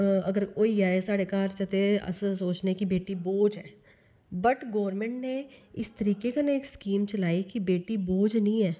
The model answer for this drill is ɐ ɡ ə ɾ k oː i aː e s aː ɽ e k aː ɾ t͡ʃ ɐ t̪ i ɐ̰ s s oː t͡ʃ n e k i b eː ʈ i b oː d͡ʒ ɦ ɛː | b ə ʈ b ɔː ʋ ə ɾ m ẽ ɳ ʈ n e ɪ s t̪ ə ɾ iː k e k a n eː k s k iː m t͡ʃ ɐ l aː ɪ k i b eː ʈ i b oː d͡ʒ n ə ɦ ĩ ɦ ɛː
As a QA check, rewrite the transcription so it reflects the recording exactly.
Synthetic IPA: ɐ ɡ ə ɾ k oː i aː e s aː ɽ e k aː ɾ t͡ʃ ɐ t̪ e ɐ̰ s s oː t͡ʃ n e k i b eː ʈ i b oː d͡ʒ ɦ ɛː | b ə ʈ ɡ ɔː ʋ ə ɾ m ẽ ɳ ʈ n e ɪ s t̪ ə ɾ iː k e k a n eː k s k iː m t͡ʃ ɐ l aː i k i b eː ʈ i b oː d͡ʒ n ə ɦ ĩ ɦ ɛː